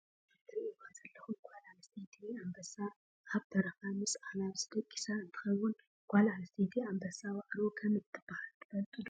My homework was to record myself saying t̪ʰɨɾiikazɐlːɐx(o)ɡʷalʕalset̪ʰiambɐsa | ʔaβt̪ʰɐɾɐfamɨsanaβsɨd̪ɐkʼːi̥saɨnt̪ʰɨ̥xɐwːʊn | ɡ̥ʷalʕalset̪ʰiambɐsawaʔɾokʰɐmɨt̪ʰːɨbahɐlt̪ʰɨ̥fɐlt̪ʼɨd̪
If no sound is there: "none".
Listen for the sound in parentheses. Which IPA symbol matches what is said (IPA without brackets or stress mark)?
u